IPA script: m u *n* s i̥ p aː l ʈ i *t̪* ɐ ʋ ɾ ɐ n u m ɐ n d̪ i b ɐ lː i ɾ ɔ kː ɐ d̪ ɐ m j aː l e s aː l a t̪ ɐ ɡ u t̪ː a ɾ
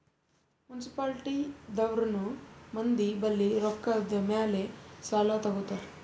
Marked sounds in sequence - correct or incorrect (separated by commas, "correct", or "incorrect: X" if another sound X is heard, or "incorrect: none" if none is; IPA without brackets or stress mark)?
correct, incorrect: d̪